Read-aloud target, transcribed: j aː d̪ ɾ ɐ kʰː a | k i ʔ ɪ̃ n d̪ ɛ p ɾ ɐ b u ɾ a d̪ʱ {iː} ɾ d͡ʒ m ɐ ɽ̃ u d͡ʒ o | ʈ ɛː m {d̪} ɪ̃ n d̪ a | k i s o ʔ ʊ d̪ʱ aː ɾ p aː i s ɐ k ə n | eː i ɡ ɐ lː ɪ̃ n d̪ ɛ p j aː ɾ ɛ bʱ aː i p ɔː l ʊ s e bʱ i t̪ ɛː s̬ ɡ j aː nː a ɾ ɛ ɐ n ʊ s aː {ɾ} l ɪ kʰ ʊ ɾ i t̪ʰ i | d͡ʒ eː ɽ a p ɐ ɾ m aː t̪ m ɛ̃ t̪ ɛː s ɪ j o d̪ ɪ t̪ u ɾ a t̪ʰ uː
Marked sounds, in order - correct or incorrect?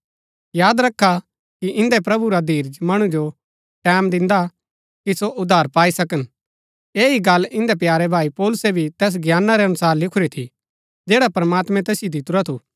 correct, correct, correct

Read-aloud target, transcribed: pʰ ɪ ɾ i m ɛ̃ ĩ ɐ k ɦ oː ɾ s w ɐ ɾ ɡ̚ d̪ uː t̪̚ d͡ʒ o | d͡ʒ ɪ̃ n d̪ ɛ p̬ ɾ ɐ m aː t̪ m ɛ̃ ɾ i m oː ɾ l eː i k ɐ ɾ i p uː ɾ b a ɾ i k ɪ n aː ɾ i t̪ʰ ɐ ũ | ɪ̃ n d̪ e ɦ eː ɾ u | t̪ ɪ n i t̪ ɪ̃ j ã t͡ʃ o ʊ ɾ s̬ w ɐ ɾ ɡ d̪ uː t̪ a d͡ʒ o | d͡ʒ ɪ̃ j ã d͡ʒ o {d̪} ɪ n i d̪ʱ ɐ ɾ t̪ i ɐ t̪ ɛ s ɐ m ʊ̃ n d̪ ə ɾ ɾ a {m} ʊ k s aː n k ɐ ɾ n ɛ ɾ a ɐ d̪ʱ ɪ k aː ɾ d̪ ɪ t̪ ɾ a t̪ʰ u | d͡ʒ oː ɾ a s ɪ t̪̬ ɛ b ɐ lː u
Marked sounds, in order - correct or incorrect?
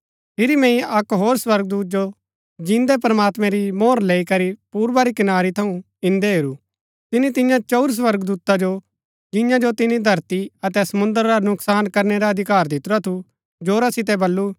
incorrect, incorrect

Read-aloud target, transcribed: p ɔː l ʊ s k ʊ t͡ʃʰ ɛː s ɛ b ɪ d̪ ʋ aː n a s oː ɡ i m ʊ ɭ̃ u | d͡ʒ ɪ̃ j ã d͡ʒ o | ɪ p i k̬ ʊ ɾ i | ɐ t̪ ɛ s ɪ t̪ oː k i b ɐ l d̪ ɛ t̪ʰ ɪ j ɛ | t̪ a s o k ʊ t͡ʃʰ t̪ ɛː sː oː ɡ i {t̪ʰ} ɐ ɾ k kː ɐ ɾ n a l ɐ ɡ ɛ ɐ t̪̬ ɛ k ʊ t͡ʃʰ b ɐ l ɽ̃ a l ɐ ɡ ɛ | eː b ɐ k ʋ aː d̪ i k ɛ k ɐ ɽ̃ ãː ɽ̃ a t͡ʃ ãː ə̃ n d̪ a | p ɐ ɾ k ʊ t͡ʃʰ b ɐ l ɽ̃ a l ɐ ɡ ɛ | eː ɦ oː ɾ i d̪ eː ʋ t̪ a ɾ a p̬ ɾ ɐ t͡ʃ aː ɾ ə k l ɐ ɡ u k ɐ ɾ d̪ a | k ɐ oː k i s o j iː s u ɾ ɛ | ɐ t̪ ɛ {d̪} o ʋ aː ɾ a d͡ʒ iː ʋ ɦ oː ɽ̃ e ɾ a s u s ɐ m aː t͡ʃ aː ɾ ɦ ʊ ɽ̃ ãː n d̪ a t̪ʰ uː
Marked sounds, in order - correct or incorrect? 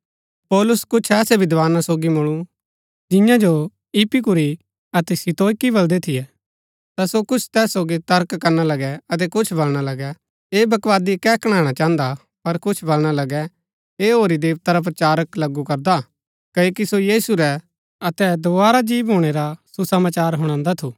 incorrect, correct

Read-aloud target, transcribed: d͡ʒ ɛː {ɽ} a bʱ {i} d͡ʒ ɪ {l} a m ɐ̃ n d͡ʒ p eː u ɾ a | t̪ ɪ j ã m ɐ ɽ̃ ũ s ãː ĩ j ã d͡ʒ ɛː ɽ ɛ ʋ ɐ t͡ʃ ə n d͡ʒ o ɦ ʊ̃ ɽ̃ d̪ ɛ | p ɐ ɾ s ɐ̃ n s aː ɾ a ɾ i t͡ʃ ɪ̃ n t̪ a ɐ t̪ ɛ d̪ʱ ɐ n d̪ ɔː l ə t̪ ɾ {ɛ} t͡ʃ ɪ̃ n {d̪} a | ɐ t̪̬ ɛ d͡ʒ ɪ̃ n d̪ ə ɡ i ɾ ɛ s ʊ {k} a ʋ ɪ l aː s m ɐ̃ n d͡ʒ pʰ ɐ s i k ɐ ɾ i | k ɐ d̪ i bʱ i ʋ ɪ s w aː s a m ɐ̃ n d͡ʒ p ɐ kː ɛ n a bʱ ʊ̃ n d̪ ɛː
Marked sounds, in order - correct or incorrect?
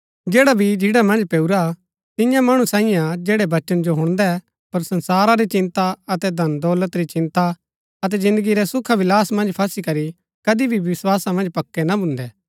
correct, correct, incorrect, incorrect, incorrect, incorrect

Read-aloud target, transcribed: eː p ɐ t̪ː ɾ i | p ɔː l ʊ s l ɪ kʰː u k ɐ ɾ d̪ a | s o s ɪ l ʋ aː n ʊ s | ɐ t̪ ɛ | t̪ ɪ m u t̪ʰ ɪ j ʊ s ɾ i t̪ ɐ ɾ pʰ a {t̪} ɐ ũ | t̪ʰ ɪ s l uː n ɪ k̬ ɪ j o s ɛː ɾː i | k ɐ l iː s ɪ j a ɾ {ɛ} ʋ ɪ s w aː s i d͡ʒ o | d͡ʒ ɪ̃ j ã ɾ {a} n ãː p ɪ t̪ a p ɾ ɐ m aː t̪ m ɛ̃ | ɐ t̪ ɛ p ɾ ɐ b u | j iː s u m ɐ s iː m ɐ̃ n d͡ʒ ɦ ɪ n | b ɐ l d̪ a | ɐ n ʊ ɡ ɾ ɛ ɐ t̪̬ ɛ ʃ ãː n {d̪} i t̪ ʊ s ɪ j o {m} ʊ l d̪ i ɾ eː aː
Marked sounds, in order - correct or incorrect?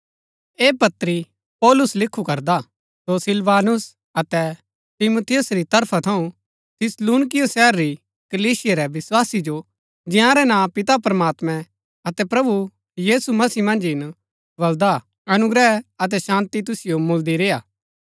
incorrect, correct, incorrect, incorrect, correct

